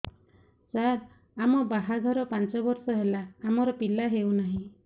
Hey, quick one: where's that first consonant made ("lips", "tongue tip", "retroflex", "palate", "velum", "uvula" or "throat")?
tongue tip